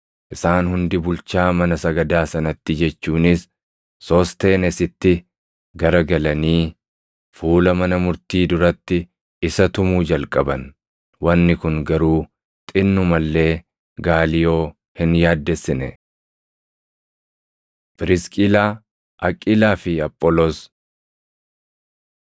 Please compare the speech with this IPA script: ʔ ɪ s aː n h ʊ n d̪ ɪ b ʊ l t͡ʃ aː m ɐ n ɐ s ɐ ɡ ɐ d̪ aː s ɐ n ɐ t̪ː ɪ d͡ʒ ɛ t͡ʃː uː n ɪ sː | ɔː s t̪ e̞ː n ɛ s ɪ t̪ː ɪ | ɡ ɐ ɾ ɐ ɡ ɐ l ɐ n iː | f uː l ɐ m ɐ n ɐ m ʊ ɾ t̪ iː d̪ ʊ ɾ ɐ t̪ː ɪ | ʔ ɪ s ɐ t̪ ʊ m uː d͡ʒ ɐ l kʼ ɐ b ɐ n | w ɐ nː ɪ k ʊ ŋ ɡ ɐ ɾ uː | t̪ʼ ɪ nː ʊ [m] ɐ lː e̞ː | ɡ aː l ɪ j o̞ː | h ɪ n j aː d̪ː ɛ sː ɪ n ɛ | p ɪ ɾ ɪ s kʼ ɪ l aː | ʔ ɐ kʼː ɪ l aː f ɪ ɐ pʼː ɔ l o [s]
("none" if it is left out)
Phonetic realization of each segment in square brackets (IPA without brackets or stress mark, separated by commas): m, s